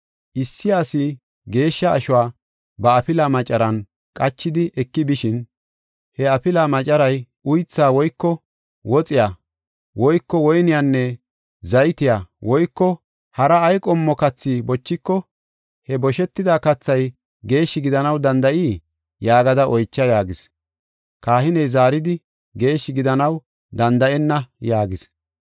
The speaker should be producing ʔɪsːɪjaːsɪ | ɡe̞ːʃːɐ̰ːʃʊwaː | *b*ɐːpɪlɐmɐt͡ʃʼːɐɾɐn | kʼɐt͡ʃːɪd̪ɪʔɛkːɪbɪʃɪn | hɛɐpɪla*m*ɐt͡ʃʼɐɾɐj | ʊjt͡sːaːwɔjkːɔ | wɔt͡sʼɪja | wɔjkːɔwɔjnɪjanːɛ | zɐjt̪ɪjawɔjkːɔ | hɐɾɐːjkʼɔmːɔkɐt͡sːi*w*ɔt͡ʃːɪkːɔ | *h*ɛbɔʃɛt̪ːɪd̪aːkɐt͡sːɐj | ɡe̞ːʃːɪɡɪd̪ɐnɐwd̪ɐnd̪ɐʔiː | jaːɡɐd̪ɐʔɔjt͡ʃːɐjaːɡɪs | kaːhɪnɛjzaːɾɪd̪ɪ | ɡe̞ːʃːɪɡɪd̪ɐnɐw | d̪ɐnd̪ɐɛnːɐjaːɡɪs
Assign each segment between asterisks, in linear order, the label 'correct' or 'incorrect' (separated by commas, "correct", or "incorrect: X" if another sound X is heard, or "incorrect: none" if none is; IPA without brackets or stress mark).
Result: correct, correct, incorrect: b, correct